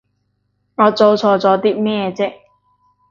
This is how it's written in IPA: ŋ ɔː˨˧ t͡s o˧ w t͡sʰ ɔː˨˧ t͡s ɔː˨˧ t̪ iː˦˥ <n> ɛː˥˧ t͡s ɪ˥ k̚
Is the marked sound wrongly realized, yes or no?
yes